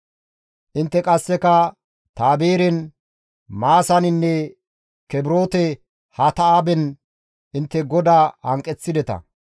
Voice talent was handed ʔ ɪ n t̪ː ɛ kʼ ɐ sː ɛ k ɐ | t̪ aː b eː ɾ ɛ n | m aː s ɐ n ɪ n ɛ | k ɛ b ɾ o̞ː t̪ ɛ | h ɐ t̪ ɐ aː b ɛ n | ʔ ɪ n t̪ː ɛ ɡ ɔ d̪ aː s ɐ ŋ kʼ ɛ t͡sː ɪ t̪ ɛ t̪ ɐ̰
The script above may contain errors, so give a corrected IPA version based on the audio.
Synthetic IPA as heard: ʔ ɪ n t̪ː ɛ kʼ ɐ sː ɛ k ɐ | t̪ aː b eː ɾ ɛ n | m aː s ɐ n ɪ nː ɛ | k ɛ b ɾ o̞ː t̪ ɛ | h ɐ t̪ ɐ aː b ɛ n | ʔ ɪ n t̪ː ɛ ɡ ɔ d̪ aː h ɐ ŋ kʼ ɛ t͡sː ɪ d̪ ɛ t̪ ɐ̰